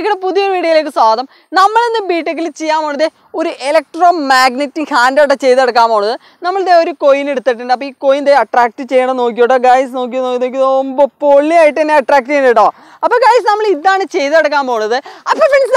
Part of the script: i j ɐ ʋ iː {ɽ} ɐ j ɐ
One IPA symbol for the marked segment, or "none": ɽ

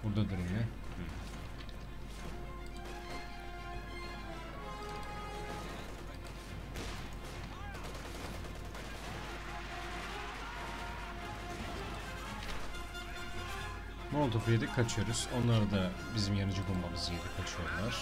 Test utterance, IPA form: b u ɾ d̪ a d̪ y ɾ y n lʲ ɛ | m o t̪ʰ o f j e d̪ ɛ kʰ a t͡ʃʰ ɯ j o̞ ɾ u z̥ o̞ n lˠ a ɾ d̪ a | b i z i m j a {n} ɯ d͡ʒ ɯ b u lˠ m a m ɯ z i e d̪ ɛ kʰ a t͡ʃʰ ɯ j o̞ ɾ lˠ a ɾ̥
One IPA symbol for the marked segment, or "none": n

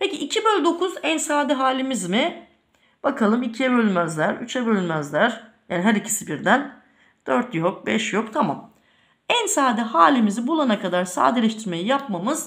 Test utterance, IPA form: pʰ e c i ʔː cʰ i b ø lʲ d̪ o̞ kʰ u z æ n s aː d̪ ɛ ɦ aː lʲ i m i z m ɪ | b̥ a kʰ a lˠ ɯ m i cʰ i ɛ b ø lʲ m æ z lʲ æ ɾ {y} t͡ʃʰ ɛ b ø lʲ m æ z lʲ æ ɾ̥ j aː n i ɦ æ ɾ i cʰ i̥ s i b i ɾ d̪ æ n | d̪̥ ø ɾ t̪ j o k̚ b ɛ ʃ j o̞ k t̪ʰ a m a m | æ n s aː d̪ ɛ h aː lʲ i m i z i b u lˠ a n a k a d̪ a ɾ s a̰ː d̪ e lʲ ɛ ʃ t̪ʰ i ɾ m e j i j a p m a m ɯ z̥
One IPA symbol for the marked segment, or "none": y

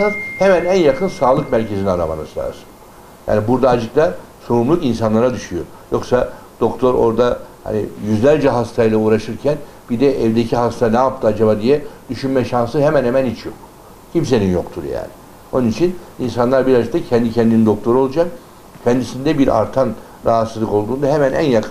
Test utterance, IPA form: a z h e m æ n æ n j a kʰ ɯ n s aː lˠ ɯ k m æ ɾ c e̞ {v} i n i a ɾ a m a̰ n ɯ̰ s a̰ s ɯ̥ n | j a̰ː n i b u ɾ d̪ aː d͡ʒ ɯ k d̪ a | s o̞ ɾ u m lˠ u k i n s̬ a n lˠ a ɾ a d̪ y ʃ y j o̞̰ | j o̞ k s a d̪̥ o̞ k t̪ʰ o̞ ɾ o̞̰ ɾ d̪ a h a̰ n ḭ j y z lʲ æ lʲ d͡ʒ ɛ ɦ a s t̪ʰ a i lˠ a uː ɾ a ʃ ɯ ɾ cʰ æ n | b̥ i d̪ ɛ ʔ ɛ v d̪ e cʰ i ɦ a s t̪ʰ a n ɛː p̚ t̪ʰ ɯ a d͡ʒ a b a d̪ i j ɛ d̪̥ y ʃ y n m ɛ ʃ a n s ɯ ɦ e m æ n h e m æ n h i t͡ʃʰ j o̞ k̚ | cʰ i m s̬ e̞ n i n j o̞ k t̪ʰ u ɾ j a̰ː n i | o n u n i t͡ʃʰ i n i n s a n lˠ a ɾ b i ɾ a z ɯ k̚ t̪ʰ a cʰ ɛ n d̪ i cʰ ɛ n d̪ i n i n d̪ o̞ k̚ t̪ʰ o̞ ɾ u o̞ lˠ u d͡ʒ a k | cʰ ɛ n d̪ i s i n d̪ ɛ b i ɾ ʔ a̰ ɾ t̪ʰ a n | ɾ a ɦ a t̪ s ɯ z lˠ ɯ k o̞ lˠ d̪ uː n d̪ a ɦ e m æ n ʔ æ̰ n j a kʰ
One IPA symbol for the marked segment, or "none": z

